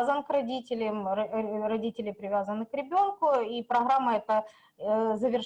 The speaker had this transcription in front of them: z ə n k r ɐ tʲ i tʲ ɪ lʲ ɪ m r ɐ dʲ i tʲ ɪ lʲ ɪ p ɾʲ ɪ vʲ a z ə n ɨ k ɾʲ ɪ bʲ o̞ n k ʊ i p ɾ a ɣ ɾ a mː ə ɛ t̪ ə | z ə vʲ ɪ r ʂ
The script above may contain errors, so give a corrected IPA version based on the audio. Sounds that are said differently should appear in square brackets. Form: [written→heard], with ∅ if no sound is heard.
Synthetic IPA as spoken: z ə n k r ɐ [tʲ→dʲ] i tʲ ɪ lʲ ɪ m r ɐ dʲ i tʲ ɪ lʲ ɪ p ɾʲ ɪ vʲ a z ə n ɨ k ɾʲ ɪ bʲ o̞ n k ʊ i p ɾ [a→ɐ] ɣ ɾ a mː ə ɛ t̪ ə | z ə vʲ ɪ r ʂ